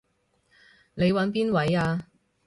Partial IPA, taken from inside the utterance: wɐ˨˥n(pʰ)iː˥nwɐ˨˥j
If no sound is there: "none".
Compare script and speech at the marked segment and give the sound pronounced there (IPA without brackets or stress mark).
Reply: p